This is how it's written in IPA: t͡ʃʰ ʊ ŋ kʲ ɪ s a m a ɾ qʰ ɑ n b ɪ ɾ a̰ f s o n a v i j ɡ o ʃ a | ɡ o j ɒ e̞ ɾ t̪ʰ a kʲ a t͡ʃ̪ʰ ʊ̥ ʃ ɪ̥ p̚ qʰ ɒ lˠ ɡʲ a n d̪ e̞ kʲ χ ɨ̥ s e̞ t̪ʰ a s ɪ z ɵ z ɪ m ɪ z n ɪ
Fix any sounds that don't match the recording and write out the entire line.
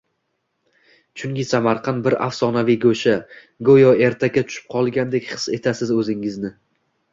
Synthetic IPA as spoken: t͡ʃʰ ʊ ŋ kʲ ɪ s a m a ɾ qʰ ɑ n b ɪ ɾ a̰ f s ɒ n a v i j ɡ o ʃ a | ɡ o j ɒ e̞ ɾ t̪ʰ a kʲ a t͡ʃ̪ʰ ʊ̥ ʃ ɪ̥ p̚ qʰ ɒ lˠ ɡʲ a n d̪ e̞ kʲ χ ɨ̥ s e̞ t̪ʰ a s ɪ z ɵ z ɪ ŋ ɪ z n ɪ

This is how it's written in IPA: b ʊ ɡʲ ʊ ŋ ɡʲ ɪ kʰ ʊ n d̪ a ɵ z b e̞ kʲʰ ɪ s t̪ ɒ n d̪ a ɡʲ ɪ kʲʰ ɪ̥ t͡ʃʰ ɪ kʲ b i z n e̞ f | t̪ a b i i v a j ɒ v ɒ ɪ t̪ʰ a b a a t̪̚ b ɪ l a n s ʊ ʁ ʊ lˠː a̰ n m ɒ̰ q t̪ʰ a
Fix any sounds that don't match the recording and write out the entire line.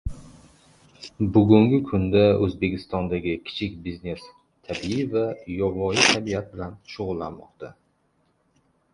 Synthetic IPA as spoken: b ʊ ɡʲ ʊ ŋ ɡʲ ɪ kʰ ʊ n d̪ a ɵ z b e̞ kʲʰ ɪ s t̪ ɒ n d̪ a ɡʲ ɪ kʲʰ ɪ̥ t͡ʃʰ ɪ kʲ b i z n e̞ s | t̪ʰ a b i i v a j ɒ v ɒ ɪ t̪ʰ a b i a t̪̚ b ɪ l a n ʃ ʊ ʁ ʊ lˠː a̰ n m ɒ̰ q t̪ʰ a

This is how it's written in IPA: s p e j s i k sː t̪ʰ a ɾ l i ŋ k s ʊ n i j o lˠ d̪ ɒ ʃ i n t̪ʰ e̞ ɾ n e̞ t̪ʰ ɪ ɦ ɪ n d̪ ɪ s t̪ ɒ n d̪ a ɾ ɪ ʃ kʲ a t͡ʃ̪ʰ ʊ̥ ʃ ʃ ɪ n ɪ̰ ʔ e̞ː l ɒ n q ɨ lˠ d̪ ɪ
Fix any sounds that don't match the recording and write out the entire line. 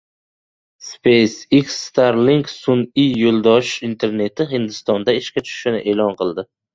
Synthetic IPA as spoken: s p e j s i k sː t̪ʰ a ɾ l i ŋ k s ʊ n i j o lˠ d̪ ɒ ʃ i n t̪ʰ e̞ ɾ n e̞ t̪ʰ ɪ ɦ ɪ n d̪ ɪ s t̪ ɒ n d̪ a ɪ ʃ kʲ a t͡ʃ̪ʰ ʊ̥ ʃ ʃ ɪ n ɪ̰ ʔ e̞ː l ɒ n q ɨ lˠ d̪ ɪ

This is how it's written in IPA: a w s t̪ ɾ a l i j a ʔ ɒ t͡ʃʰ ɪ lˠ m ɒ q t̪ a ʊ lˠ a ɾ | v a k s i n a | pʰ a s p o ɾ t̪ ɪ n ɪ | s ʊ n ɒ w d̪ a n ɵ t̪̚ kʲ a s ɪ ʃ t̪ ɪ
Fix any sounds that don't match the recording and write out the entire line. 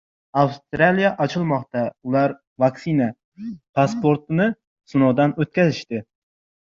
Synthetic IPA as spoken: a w s t̪ ɾ a l i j a ʔ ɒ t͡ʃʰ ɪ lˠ m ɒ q t̪ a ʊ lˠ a ɾ | v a k s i n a | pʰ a s p o ɾ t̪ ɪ n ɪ | s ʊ n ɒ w d̪ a n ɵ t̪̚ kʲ a z ɪ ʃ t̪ ɪ

